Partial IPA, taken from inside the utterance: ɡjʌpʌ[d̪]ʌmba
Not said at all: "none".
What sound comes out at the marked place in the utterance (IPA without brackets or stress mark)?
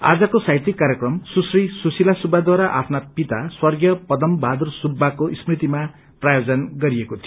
d̪